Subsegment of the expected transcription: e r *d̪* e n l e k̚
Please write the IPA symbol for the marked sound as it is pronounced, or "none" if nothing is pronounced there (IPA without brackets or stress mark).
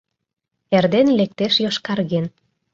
d̪